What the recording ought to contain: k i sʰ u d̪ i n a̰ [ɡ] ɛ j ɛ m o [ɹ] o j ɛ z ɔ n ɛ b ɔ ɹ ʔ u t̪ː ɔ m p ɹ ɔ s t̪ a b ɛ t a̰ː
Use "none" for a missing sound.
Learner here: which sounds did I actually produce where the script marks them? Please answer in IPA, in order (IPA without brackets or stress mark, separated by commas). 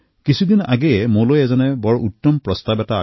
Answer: ɡ, l